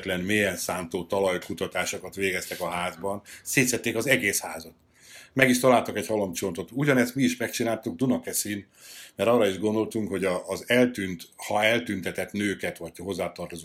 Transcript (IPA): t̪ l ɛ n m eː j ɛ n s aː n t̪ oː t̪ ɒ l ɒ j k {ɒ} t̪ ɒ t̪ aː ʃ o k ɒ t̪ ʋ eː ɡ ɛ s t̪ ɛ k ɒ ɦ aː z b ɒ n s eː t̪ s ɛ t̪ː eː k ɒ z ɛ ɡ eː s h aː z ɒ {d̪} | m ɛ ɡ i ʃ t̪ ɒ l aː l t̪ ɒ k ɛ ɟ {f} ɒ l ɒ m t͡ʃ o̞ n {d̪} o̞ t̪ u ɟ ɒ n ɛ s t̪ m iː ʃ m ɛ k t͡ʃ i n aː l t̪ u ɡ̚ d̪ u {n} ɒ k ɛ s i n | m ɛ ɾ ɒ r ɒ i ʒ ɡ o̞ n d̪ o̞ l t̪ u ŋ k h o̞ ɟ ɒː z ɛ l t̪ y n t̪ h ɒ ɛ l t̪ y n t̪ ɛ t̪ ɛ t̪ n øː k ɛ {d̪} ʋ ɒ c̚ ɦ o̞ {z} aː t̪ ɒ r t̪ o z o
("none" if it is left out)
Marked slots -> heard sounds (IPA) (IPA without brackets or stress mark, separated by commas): u, t̪, h, t̪, n, t̪, zː